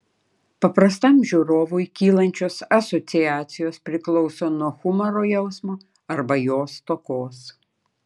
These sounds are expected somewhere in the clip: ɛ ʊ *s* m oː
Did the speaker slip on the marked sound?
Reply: no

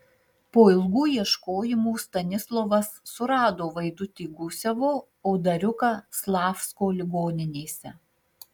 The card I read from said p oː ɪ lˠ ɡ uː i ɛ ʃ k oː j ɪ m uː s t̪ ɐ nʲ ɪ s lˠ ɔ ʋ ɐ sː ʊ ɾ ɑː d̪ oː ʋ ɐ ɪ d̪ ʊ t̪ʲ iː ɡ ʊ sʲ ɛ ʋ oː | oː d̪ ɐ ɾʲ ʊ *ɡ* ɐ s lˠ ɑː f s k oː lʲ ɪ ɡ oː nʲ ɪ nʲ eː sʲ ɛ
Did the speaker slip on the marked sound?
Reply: yes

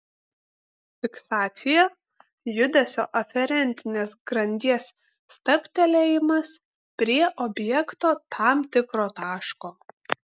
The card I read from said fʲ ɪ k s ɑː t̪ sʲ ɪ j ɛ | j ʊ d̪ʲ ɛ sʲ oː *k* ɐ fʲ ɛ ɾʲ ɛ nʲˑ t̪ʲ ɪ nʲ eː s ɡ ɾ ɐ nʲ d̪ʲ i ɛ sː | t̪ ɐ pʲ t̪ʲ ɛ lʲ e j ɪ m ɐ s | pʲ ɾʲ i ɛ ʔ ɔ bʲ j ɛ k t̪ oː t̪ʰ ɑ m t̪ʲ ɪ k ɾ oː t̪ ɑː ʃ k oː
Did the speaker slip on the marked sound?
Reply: yes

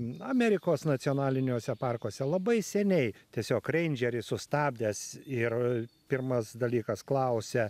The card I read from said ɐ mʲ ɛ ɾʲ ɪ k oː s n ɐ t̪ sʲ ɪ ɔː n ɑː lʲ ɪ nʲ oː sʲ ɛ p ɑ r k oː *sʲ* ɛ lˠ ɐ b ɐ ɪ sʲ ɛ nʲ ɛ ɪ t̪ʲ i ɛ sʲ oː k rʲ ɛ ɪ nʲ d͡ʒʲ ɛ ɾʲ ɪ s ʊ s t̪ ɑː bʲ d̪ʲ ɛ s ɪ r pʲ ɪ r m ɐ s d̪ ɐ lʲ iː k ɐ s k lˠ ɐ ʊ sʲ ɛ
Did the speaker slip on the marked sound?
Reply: no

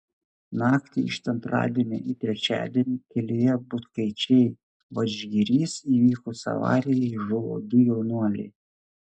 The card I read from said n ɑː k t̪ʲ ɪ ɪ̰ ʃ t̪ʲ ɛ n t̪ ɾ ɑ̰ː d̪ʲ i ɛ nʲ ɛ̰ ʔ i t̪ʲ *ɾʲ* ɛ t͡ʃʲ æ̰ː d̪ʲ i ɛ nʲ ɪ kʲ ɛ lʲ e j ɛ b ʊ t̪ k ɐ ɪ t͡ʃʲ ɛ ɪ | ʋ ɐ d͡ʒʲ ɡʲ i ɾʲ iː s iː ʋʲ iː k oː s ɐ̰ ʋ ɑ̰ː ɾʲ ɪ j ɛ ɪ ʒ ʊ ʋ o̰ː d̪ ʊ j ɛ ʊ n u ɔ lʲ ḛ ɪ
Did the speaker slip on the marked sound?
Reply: no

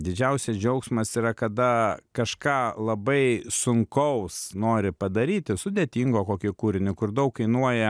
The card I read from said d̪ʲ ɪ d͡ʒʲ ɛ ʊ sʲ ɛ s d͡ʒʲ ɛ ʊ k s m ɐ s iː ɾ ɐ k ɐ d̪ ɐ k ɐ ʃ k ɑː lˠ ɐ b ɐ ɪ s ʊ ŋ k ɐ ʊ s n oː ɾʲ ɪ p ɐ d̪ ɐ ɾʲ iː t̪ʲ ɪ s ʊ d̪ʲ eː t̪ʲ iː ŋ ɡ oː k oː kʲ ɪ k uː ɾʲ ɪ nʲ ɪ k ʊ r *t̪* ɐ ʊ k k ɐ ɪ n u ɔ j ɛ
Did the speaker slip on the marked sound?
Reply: yes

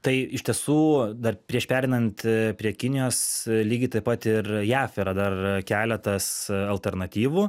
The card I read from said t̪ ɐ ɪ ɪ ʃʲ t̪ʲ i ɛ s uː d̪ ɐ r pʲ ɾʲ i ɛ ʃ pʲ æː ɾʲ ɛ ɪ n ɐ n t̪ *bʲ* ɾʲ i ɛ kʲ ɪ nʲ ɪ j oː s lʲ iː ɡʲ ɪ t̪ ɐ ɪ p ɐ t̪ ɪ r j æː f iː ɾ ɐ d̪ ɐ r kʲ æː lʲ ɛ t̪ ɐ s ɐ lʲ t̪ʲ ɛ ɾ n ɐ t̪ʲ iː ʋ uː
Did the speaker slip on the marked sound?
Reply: yes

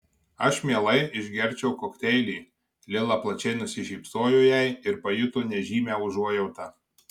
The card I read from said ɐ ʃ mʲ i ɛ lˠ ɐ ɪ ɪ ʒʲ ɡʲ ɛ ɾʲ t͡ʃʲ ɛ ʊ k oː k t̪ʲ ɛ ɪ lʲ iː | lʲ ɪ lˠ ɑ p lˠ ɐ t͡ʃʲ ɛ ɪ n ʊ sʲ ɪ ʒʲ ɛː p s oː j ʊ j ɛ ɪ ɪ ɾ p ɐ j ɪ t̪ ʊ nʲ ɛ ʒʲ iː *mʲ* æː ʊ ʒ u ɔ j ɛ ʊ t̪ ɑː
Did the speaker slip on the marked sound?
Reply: no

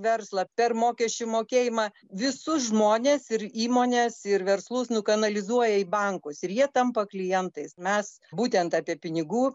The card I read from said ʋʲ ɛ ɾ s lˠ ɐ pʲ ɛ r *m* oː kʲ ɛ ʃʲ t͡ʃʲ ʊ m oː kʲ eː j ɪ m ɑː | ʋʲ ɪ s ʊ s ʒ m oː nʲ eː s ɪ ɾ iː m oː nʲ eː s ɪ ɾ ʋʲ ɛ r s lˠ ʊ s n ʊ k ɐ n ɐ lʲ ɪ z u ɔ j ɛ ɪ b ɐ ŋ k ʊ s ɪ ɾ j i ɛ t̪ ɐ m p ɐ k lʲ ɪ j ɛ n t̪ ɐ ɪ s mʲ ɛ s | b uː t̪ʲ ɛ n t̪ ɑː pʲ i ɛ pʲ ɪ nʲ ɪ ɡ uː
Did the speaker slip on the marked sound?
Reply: no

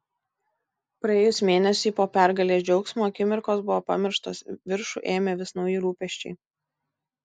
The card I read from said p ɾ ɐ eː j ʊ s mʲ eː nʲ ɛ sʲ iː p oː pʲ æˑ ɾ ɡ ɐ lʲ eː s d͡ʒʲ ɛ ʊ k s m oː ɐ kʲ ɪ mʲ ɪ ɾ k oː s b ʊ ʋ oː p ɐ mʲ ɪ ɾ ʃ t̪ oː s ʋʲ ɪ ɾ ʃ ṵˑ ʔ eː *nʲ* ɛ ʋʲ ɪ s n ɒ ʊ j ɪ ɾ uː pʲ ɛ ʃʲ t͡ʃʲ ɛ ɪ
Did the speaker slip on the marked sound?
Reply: yes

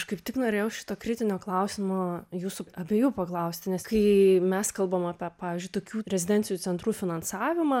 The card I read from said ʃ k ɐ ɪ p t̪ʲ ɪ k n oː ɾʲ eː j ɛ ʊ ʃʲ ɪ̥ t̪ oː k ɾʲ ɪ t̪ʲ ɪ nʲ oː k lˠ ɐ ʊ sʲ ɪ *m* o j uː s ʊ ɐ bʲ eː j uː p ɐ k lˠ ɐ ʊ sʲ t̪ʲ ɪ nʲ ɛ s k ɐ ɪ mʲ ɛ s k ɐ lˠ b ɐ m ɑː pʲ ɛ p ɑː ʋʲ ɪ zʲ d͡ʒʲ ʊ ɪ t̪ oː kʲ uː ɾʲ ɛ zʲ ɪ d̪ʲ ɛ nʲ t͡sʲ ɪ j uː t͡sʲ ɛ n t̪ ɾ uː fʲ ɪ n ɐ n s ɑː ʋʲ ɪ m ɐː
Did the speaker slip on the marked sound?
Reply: no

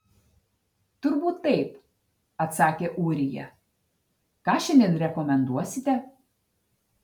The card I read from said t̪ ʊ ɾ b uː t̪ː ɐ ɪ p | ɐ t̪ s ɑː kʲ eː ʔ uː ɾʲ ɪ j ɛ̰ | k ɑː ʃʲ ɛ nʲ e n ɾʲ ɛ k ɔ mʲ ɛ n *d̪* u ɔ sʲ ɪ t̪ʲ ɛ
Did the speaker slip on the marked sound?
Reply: no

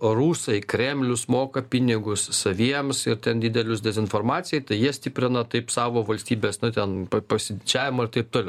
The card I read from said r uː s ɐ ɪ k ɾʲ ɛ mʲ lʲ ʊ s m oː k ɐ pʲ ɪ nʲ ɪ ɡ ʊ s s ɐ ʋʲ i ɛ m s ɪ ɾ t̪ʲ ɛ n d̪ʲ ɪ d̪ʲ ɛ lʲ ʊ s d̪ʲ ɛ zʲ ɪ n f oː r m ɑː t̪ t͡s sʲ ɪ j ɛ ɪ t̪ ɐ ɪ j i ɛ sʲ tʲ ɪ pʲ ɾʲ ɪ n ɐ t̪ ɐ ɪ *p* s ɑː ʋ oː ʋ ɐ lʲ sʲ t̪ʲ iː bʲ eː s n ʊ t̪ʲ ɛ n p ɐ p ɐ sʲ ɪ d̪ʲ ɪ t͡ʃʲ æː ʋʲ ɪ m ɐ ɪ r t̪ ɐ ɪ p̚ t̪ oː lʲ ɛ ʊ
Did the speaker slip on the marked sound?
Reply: no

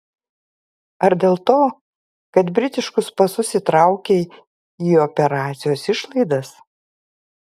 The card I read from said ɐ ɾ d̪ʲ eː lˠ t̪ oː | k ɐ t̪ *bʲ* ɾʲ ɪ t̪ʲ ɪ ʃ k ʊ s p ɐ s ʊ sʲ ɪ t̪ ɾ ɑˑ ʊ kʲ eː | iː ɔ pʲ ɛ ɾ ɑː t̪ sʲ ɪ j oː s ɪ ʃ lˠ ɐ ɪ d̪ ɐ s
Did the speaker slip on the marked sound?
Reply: no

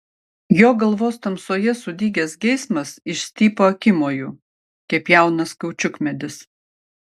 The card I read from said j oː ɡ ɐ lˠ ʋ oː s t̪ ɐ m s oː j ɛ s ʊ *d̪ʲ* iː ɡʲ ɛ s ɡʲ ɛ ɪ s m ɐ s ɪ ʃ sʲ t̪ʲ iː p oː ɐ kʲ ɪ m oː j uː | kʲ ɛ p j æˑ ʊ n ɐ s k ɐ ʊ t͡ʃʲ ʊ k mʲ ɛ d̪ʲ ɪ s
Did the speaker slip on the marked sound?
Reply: no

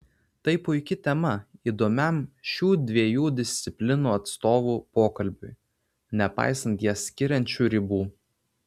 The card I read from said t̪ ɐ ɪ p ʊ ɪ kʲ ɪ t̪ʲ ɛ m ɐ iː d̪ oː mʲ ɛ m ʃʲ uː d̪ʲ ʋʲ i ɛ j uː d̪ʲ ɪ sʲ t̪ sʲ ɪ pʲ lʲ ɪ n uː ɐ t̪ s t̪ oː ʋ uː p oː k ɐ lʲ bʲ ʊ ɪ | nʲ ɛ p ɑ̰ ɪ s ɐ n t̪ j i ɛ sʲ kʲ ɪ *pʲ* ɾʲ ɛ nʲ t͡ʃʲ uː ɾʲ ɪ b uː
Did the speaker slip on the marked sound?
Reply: yes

